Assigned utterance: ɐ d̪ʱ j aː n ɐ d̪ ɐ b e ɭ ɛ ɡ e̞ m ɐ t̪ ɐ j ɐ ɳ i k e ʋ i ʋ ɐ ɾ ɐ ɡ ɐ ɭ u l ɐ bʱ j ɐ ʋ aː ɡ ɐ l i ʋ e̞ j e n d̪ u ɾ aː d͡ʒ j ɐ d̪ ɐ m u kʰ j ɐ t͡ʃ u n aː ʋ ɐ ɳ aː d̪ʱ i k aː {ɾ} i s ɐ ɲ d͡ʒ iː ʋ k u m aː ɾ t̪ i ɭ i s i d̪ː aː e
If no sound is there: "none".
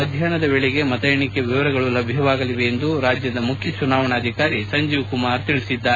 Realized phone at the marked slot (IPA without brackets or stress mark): ɾ